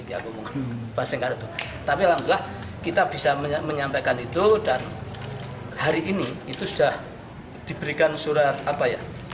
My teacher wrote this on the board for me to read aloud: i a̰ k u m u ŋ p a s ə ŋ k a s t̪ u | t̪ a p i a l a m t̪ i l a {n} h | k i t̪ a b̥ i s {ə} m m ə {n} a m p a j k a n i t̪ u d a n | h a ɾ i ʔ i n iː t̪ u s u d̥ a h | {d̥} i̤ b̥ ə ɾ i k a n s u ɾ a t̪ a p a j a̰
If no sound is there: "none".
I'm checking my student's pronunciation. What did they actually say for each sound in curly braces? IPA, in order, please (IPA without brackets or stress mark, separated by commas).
none, a, ɲ, d̥